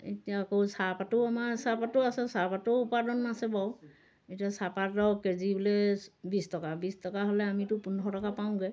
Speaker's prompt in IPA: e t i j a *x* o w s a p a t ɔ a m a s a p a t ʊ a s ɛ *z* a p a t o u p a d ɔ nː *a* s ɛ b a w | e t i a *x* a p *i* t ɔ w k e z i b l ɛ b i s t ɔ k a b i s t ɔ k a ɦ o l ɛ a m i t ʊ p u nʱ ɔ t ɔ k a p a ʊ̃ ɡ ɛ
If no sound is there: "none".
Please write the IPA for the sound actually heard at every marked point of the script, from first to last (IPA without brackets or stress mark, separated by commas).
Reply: k, s, a, s, a